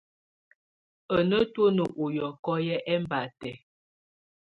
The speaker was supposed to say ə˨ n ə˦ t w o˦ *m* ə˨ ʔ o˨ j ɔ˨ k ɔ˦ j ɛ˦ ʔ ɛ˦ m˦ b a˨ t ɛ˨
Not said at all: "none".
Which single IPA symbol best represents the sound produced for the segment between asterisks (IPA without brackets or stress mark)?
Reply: n